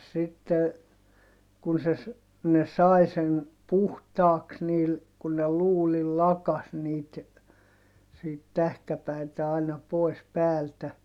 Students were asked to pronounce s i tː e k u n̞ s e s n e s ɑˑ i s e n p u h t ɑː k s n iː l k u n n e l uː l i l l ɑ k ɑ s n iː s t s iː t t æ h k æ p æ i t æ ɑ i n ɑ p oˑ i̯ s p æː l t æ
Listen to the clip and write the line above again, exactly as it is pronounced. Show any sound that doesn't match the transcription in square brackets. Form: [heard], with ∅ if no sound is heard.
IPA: s i tː e k u n̞ s e s n e s ɑˑ i s e n p u h t ɑː k s n iː l k u n n e l uː l i l l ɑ k ɑ s n iː [∅] t s iː t t æ h k æ p æ i t æ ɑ i n ɑ p oˑ i̯ s p æː l t æ